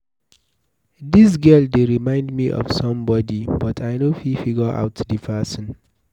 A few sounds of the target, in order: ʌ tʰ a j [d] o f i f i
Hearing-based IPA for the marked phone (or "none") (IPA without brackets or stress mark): n